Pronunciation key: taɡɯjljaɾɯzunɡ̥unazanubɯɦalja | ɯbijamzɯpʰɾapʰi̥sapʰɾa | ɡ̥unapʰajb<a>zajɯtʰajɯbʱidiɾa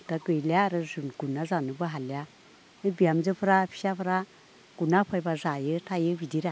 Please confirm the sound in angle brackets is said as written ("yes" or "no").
yes